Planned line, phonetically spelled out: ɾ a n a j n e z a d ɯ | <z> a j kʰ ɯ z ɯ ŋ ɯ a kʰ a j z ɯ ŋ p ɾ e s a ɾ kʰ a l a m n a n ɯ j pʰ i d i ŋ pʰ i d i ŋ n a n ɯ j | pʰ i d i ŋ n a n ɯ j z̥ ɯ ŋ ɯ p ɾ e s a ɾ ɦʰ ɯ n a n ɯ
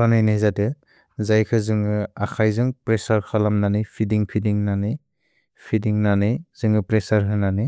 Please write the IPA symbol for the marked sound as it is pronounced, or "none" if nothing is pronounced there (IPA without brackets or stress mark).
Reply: z